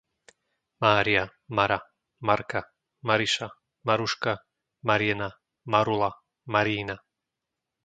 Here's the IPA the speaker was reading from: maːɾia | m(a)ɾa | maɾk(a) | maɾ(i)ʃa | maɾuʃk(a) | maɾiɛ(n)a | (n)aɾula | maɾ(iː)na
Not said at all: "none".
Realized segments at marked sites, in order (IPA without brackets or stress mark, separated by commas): a, a, i, a, n, m, iː